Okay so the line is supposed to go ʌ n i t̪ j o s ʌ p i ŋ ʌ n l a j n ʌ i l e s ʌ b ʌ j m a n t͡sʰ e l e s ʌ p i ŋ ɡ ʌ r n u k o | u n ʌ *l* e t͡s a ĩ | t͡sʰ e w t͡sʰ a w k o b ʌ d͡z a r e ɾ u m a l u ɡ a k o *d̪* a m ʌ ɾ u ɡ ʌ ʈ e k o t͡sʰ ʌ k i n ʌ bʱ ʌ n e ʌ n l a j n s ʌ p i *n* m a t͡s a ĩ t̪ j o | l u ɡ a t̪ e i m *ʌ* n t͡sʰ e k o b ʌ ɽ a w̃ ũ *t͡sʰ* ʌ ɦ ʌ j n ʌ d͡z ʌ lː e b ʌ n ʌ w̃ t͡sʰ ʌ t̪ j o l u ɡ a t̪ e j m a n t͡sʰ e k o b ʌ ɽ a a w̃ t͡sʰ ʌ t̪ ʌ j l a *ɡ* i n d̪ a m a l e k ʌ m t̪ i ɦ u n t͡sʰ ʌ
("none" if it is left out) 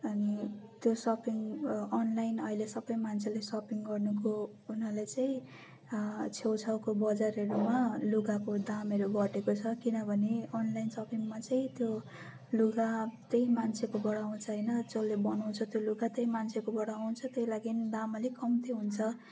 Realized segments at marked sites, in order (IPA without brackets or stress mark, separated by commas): l, d̪, ŋ, a, t͡sʰ, ɡ